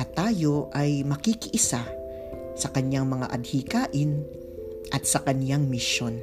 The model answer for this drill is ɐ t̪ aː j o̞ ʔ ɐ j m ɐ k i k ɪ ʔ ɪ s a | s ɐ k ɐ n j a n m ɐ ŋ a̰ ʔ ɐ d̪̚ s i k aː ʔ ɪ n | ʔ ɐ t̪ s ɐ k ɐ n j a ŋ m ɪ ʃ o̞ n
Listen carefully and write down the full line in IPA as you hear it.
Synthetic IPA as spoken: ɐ t̪ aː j o̞ ʔ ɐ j m ɐ k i k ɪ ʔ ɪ s a | s ɐ k ɐ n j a ŋ m ɐ ŋ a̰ ʔ ɐ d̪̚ h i k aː ʔ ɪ n | ʔ ɐ t̪ s ɐ k ɐ n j a ŋ m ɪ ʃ o̞ n